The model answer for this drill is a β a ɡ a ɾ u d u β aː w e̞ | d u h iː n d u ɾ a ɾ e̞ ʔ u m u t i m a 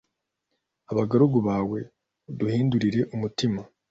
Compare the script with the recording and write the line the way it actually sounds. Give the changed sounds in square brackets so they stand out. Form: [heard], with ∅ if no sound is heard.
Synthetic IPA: a β a ɡ a ɾ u [ɡ] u β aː w e̞ | d u h iː n d u ɾ [i] ɾ e̞ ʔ u m u t i m a

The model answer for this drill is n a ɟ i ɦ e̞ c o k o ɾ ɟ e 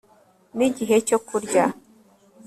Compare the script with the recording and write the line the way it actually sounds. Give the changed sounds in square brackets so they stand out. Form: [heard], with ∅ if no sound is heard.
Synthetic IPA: n [i] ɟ i ɦ e̞ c o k [u] ɾ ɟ [a]

